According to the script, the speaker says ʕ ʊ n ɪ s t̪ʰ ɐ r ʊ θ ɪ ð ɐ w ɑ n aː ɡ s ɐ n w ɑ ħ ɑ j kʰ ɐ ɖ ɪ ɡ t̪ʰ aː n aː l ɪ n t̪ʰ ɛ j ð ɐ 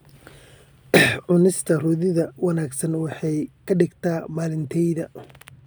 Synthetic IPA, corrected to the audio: ʕ ʊ n ɪ s t̪ʰ ɐ r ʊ ð ɪ ð ɐ w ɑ n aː ɡ s ɐ n w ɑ ħ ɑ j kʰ ɐ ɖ ɪ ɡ t̪ʰ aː m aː l ɪ n t̪ʰ ɛ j ð ɐ